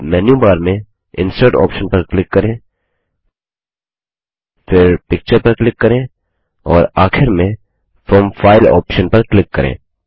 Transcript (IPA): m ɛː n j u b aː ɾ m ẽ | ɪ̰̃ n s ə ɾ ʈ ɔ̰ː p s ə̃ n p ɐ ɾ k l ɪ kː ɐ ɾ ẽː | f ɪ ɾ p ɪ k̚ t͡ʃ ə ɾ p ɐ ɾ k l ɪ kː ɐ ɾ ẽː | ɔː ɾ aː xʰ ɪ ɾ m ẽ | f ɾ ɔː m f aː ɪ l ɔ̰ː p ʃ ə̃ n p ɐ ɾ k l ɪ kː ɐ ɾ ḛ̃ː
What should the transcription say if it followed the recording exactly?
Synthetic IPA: m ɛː n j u b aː ɾ m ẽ | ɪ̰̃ n s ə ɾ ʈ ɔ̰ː p ʃ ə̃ n p ɐ ɾ k l ɪ kː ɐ ɾ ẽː | f ɪ ɾ p ɪ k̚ t͡ʃ ə ɾ p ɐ ɾ k l ɪ kː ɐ ɾ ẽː | ɔː ɾ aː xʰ ɪ ɾ m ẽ | f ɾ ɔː m f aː ɪ l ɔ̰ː p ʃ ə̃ n p ɐ ɾ k l ɪ kː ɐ ɾ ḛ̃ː